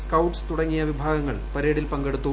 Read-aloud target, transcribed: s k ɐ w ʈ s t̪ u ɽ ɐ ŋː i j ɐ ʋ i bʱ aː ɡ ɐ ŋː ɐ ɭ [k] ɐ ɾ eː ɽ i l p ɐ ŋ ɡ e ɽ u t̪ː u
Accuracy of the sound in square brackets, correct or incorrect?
incorrect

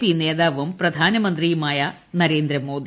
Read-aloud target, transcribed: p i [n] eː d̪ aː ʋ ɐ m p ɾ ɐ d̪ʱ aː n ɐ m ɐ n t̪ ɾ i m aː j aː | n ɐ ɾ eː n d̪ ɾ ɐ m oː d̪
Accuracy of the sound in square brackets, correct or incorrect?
correct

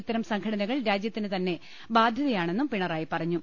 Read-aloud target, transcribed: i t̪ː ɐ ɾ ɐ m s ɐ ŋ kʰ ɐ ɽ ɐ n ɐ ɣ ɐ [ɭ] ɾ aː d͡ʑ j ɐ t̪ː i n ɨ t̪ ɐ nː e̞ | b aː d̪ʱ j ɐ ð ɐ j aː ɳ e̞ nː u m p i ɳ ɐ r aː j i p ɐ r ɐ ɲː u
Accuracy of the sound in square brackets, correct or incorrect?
correct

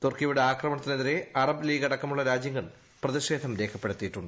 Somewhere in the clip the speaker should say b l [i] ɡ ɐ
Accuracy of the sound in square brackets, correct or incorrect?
incorrect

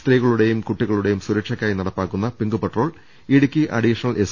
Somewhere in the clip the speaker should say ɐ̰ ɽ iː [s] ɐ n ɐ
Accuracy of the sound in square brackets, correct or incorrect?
incorrect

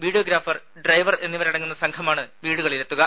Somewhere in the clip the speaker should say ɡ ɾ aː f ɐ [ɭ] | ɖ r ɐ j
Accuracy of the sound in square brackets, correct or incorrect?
incorrect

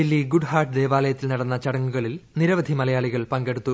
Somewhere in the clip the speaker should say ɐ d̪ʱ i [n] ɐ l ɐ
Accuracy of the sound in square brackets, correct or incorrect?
incorrect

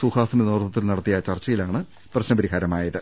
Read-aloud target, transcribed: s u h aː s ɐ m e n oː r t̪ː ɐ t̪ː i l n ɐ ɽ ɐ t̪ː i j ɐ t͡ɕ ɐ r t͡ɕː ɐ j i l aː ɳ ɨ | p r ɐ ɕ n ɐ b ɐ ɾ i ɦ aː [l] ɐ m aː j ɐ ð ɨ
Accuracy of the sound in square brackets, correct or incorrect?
incorrect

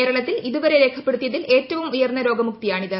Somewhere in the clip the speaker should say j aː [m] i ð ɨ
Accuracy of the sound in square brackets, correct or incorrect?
incorrect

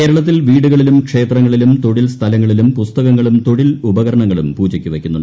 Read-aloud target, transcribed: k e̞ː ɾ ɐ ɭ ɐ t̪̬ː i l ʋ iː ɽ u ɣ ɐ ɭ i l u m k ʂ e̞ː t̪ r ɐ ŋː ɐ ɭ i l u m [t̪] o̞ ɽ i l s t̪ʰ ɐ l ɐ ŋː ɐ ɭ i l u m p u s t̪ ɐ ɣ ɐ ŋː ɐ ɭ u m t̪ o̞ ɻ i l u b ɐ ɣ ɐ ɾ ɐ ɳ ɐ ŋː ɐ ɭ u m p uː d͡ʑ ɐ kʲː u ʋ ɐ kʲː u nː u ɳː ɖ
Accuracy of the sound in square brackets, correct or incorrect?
correct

